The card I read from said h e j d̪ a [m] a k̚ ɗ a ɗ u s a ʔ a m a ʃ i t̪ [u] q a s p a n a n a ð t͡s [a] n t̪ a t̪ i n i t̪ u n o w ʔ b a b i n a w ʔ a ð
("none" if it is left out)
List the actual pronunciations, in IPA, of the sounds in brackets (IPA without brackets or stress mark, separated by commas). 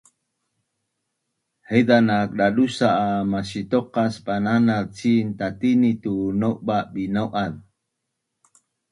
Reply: n, o, i